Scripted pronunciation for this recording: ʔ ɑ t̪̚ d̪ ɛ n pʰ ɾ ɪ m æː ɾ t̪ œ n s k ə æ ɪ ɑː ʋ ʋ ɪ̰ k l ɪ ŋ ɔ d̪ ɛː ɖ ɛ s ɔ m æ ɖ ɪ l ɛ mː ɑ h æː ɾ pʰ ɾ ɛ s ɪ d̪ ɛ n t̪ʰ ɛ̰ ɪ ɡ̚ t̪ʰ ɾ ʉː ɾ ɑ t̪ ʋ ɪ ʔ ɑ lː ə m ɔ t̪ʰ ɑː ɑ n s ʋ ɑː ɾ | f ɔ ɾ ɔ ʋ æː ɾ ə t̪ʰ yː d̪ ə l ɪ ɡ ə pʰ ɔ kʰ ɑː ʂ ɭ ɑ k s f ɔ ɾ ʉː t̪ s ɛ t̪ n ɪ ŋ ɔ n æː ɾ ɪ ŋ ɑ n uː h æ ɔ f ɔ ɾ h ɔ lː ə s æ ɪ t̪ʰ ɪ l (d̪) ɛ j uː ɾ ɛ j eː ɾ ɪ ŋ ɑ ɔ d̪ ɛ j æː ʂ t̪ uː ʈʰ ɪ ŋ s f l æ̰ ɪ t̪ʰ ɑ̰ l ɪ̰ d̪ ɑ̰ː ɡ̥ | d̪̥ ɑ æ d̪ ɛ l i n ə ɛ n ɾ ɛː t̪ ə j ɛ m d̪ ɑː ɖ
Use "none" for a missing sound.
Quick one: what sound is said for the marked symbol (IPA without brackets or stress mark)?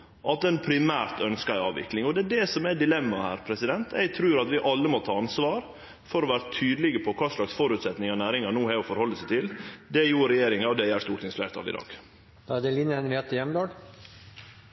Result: d̪